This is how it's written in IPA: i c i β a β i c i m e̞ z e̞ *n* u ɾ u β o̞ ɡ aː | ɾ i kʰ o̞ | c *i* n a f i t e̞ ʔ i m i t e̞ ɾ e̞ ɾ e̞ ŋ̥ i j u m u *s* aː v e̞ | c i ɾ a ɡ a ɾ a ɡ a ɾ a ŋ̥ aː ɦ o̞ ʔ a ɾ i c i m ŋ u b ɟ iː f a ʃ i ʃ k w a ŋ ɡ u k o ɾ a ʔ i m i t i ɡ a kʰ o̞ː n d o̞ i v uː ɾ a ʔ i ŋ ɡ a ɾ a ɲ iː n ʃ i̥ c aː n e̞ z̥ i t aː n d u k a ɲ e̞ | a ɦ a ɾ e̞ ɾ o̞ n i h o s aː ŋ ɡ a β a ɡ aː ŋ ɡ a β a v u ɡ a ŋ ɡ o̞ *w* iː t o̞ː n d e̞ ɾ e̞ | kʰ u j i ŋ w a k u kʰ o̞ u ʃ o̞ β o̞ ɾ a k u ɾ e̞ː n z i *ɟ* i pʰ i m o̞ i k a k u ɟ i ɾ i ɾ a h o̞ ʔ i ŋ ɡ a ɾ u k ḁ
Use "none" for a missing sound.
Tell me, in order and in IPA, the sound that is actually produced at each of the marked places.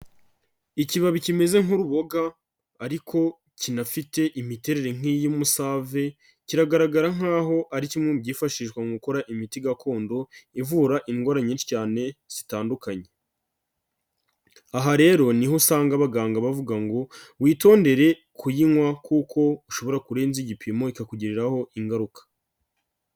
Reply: ŋ, i, s, w, ɟ

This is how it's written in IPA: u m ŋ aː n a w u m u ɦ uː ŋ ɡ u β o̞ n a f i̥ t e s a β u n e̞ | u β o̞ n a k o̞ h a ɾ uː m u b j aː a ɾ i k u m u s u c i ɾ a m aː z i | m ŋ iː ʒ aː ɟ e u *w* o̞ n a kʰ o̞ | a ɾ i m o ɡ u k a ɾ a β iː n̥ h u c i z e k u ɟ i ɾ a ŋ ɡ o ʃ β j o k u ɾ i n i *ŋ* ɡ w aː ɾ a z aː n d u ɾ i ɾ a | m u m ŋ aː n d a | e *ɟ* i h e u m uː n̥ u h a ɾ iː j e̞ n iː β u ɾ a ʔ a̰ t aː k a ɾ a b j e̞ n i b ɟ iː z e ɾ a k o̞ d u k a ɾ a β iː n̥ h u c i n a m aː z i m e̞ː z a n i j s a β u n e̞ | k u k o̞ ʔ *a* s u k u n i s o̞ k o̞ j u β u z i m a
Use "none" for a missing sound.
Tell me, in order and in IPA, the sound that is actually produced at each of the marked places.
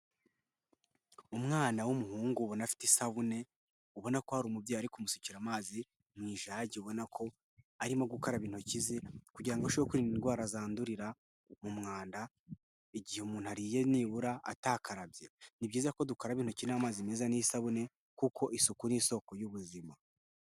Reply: β, n, ɟ, i

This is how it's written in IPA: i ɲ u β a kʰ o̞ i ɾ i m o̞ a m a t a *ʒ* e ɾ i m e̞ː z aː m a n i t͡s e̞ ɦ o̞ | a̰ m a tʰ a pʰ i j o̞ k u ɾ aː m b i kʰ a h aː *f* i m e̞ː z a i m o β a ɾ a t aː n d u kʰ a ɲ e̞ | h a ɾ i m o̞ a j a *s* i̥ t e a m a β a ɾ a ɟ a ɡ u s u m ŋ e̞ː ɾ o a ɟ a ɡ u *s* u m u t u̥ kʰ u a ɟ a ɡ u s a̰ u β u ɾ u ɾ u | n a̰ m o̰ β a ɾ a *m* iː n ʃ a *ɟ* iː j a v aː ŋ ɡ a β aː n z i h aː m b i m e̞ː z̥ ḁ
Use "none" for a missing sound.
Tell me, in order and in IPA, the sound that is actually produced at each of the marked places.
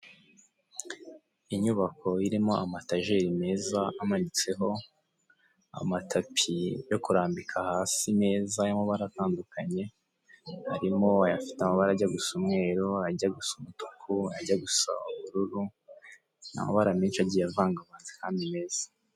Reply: ʒ, s, f, s, m, ɟ

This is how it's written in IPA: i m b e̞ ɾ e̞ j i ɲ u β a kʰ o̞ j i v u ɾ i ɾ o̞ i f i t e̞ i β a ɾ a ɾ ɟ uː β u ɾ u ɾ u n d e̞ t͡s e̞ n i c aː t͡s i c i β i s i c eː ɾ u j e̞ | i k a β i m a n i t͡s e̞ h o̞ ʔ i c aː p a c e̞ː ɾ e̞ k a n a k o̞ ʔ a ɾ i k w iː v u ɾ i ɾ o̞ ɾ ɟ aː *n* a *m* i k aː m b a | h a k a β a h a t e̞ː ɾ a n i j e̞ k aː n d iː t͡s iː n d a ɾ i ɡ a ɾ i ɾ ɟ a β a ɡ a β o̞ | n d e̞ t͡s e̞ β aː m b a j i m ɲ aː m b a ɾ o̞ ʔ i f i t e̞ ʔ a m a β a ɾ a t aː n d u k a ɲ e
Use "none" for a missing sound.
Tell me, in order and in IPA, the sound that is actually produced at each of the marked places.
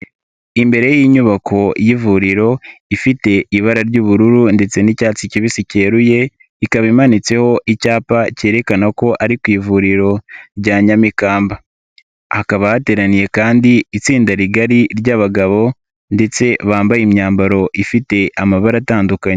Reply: ɲ, m

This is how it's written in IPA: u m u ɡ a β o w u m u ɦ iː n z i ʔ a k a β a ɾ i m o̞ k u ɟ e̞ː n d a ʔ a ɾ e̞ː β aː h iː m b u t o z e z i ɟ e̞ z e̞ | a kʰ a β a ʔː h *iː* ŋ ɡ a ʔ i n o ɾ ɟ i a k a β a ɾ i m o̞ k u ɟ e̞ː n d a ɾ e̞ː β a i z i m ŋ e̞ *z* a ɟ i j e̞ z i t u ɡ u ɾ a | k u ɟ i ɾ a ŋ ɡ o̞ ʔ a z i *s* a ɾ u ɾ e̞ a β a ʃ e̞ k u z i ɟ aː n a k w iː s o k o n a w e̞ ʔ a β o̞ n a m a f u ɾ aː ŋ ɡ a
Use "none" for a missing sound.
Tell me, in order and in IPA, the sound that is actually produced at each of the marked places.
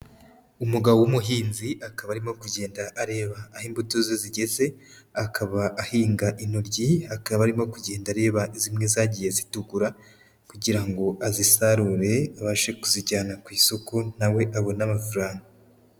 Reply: iː, z, s

